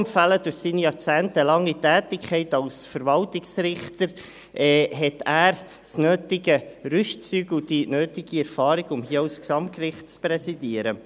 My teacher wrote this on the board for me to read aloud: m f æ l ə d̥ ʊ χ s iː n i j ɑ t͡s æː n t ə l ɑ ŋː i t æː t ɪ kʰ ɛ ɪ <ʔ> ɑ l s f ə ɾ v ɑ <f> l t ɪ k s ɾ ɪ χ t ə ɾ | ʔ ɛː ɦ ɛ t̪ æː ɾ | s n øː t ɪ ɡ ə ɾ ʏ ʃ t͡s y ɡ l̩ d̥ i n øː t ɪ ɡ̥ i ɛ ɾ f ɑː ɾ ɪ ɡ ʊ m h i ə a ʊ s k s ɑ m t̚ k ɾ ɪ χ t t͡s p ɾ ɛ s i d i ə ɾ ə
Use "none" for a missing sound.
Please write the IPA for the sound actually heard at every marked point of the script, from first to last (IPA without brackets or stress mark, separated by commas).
t, none